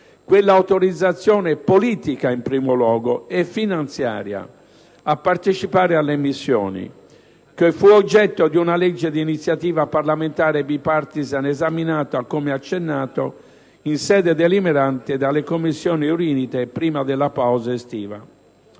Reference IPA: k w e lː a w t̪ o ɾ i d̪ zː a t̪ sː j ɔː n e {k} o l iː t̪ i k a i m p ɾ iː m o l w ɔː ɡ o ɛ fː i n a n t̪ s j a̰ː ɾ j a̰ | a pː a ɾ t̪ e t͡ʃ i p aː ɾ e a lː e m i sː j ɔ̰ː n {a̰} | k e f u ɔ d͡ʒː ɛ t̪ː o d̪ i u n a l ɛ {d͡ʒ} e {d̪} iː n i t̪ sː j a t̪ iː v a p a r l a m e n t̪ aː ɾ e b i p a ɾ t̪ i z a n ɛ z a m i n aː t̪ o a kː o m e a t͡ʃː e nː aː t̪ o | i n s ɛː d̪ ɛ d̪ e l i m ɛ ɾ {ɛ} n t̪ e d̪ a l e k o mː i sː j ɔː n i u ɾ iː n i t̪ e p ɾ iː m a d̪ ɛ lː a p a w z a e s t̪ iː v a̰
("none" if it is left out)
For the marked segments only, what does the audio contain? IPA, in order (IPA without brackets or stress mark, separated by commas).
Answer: p, ḭ, d͡ʒː, d̪, a